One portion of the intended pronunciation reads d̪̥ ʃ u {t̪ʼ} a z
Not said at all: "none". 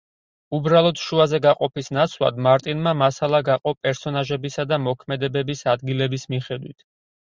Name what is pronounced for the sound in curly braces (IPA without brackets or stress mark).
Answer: none